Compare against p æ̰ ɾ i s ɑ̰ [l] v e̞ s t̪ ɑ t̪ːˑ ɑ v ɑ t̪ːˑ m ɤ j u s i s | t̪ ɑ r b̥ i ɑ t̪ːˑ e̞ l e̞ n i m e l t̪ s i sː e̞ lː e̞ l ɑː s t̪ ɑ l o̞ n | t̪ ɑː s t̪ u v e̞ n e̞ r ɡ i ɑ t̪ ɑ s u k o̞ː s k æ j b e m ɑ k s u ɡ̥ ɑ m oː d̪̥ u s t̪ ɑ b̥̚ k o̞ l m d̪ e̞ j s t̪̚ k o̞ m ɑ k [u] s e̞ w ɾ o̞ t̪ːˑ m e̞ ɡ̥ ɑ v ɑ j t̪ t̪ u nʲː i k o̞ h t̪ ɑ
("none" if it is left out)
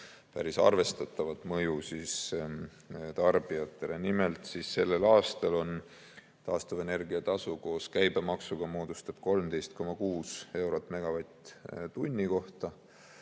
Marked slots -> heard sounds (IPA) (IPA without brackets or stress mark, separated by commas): r, uː